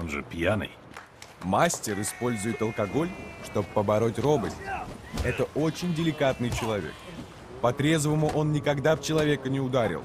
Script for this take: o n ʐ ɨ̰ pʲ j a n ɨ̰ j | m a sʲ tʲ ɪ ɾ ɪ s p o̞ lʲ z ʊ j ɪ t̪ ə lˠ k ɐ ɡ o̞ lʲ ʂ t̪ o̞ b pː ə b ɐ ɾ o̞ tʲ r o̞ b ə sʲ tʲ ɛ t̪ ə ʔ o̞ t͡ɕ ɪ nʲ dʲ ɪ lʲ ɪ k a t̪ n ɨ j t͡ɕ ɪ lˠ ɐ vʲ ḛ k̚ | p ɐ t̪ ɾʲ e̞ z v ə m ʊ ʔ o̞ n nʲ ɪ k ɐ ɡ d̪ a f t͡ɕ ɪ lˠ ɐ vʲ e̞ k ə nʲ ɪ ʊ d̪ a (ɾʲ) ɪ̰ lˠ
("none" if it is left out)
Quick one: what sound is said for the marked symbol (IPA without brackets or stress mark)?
ɾʲ